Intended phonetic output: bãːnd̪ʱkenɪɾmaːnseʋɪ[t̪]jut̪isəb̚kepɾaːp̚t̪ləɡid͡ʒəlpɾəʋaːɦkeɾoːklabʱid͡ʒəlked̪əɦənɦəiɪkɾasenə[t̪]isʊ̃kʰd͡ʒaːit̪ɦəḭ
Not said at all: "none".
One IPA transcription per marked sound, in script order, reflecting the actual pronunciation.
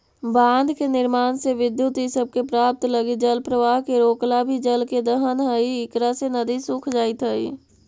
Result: d̪, d̪

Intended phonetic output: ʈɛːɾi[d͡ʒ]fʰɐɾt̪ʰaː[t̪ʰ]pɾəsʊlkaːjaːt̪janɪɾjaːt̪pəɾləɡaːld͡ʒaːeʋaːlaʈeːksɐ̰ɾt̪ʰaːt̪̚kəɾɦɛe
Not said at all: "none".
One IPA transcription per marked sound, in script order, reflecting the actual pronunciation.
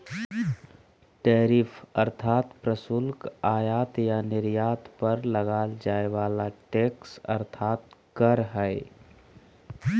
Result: none, t̪

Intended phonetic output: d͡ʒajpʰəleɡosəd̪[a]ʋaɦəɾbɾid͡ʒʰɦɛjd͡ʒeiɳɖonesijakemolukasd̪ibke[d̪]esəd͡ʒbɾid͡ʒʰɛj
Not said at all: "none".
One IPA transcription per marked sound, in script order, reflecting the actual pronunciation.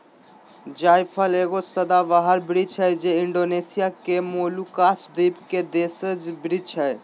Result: a, d̪

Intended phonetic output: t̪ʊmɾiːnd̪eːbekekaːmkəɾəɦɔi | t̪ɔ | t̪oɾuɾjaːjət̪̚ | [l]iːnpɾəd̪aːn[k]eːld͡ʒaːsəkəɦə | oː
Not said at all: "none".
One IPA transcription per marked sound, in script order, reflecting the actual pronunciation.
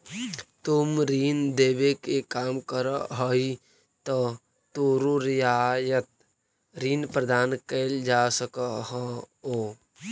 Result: ɾ, k

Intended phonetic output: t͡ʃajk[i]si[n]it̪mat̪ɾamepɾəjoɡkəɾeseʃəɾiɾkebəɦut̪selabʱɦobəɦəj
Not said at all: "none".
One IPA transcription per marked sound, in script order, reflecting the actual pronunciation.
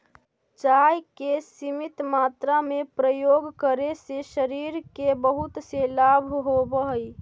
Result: e, m

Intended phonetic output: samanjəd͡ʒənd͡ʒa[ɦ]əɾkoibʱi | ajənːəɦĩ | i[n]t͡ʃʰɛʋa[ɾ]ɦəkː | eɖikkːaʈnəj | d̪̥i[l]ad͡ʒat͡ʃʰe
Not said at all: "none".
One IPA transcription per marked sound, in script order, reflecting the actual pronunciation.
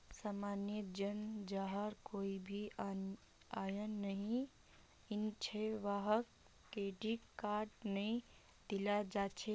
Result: ɦ, n, none, l

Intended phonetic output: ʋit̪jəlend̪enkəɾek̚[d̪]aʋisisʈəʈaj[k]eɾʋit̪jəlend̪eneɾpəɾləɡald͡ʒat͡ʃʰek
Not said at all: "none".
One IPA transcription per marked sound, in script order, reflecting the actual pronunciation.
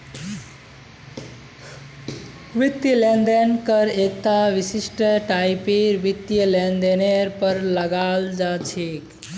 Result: t̪, p

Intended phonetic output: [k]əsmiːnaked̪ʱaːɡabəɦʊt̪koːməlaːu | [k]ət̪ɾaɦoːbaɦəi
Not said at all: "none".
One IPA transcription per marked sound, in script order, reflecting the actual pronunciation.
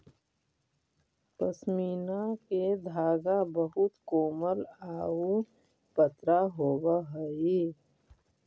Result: p, p

